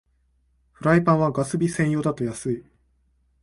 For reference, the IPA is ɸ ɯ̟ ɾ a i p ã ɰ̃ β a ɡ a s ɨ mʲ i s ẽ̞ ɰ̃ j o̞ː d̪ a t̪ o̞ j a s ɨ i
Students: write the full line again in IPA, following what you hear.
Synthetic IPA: ɸ ɯ̟ ɾ a i p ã ɰ̃ β a ɡ a s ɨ bʲ i s ẽ̞ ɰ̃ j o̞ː d̪ a t̪ o̞ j a s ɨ i